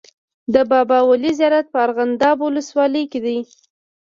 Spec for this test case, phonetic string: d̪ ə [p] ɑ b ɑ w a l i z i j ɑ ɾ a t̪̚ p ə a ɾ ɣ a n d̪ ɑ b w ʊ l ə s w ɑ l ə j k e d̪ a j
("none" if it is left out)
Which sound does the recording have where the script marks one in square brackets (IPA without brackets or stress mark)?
b